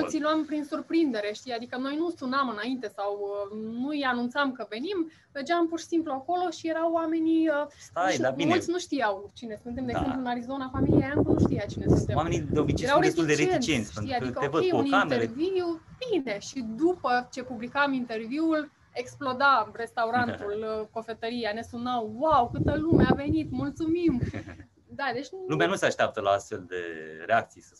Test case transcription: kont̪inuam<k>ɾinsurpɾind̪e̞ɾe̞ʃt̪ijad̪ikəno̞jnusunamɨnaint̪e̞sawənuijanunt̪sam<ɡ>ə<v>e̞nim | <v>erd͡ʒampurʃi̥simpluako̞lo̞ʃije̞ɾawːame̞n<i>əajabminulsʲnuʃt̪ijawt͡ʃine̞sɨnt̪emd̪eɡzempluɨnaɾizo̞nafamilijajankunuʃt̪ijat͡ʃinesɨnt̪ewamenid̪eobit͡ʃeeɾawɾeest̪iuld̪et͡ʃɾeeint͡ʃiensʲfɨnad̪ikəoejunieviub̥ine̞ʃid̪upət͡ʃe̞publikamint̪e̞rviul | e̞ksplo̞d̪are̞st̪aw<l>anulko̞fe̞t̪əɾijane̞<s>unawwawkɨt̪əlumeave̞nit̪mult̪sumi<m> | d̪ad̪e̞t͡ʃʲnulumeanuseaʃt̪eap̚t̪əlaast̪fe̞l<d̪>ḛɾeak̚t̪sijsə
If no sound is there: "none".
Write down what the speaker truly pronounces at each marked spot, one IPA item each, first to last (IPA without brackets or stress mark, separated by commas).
p, k, v, v, i, ɾ, s, m, d̪